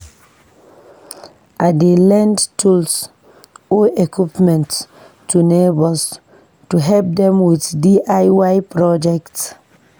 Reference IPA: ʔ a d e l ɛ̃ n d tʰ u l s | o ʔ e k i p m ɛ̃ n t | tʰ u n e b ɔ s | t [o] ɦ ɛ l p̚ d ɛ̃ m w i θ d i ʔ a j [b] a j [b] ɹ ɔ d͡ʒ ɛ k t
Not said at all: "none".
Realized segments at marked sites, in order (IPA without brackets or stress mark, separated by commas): u, w, p